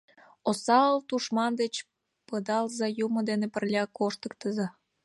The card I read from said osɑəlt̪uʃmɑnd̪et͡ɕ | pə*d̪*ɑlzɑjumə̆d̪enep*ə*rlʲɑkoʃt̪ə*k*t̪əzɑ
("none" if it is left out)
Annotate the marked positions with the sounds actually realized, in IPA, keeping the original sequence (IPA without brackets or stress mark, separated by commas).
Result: d̪, ə, k